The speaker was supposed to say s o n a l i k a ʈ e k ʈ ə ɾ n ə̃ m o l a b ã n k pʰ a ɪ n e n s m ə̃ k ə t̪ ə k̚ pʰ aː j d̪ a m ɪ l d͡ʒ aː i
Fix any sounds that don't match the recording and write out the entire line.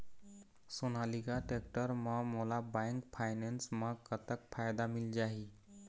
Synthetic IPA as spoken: s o n a l i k a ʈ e k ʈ ə ɾ m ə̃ m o l a b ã ŋ k pʰ a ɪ n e n s m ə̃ k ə t̪ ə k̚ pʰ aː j d̪ a m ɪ l d͡ʒ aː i